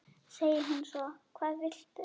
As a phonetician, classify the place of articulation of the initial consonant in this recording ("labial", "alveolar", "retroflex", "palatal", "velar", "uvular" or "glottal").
alveolar